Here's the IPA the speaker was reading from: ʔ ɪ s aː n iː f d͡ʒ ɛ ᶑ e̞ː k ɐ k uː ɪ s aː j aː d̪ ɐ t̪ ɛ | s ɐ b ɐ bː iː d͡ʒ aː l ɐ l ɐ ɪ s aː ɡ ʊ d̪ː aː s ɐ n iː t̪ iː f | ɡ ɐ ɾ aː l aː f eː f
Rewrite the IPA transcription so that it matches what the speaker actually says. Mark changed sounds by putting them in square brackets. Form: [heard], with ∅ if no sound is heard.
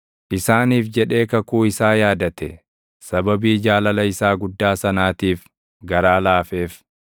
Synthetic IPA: ʔ ɪ s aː n iː f d͡ʒ ɛ ᶑ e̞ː k ɐ k uː ɪ s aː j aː d̪ ɐ t̪ ɛ | s ɐ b ɐ [b] iː d͡ʒ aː l ɐ l ɐ ɪ s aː ɡ ʊ d̪ː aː s ɐ n [aː] t̪ iː f | ɡ ɐ ɾ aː l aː f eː f